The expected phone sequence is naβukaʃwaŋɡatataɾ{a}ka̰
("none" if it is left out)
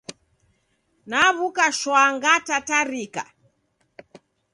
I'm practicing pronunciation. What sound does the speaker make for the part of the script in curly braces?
i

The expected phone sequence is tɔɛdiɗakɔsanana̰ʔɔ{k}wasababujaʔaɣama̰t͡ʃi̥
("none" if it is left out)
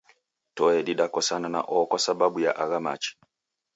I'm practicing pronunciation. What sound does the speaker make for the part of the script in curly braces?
k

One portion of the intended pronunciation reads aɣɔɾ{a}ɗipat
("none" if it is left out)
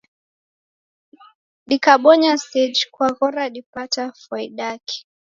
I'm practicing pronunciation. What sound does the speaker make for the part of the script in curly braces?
a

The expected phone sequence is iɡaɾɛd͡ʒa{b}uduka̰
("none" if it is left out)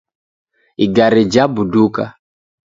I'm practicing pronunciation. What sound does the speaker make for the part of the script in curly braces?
b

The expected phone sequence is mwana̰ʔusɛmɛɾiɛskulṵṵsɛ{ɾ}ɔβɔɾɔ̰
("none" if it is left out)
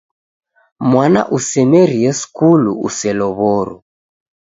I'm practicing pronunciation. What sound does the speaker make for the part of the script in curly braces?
l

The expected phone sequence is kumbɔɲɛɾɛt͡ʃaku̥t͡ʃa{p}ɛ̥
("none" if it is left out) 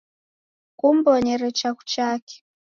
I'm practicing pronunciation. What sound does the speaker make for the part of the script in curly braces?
k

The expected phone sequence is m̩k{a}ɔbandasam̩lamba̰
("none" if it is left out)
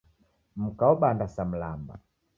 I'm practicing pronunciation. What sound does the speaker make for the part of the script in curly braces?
a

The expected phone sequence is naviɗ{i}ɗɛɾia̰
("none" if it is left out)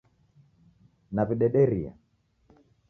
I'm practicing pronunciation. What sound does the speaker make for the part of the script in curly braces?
ɛ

